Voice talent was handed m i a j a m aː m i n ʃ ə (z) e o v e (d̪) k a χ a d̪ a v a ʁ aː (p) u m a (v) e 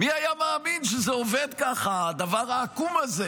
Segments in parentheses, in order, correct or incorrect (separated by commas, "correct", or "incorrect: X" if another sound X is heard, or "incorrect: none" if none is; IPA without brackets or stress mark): correct, correct, incorrect: k, incorrect: z